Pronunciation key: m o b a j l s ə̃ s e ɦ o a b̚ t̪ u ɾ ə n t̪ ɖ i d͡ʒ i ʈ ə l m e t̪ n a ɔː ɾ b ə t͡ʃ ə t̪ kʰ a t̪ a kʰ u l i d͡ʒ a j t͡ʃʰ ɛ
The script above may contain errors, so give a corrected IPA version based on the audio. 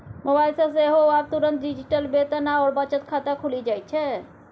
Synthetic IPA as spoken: m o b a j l s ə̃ s e ɦ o a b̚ t̪ u ɾ ə n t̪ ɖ i d͡ʒ i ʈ ə l b e t̪ n a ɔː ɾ b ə t͡ʃ ə t̪ kʰ a t̪ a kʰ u l i d͡ʒ a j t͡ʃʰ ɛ